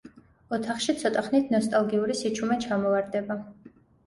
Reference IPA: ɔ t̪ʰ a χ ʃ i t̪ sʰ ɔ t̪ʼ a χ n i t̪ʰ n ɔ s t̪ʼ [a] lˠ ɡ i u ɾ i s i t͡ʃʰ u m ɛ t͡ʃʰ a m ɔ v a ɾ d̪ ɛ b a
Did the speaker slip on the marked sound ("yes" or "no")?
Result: no